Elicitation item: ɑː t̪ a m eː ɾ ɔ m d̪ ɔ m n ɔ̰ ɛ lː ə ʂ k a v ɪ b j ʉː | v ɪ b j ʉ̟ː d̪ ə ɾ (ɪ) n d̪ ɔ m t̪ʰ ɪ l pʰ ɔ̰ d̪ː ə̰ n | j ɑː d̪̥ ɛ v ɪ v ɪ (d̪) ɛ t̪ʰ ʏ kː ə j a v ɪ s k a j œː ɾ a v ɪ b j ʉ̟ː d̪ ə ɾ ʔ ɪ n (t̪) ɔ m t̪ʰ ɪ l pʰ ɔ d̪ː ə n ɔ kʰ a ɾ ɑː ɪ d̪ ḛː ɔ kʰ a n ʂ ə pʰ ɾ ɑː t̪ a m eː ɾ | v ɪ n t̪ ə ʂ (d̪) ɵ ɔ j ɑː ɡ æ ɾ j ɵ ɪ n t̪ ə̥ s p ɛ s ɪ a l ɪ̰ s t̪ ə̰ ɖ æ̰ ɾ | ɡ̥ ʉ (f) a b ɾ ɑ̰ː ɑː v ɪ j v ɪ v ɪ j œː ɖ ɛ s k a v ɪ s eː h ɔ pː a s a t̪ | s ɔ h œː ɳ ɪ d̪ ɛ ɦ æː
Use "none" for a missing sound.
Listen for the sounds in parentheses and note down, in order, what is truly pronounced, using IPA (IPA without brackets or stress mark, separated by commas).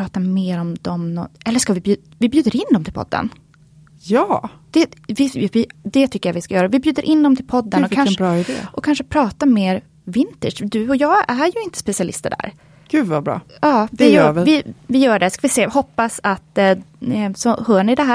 ɪ, d̪, d̪, d̪, v